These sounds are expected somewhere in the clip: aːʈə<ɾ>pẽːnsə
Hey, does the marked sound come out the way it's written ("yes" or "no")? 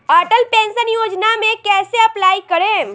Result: no